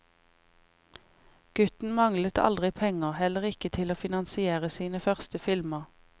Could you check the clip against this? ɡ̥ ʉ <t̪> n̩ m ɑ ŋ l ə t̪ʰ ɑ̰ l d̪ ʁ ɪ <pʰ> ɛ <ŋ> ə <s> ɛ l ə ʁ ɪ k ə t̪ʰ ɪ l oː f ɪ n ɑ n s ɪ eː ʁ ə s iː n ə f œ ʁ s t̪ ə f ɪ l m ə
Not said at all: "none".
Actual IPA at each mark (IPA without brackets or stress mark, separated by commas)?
t̪, pʰ, ŋ, h